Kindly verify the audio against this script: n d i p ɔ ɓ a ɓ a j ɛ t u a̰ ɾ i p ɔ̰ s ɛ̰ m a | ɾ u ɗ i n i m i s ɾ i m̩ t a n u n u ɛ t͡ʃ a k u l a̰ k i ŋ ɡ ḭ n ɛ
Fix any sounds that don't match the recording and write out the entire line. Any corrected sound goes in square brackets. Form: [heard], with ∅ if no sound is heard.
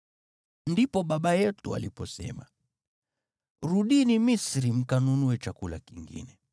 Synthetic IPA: n d i p ɔ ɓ a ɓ a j ɛ t u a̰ [l] i p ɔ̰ s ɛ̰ m a | ɾ u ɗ i n i m i s ɾ i m̩ [k] a n u n u ɛ t͡ʃ a k u l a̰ k i ŋ ɡ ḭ n ɛ